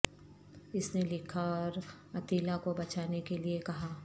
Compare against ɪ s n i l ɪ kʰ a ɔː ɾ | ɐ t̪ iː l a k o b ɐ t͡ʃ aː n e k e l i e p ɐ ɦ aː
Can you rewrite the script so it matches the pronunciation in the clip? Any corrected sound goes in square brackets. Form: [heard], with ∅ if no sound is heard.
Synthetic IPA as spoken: ɪ s n [e] l ɪ kʰ a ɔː ɾ | ɐ t̪ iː l a k o b ɐ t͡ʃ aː n e k e l i e [k] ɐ ɦ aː